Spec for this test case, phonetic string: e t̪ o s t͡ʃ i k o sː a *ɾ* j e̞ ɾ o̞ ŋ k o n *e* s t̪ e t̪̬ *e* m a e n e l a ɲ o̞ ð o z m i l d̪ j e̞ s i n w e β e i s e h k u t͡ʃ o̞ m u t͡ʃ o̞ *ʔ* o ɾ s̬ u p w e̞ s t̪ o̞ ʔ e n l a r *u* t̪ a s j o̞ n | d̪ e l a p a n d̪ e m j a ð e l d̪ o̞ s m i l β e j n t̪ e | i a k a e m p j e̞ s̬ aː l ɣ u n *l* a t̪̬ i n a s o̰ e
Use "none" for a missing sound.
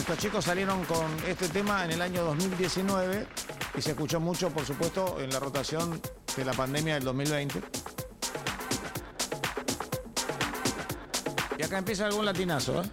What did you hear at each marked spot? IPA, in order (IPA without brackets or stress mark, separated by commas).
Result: l, e, e, p, o, l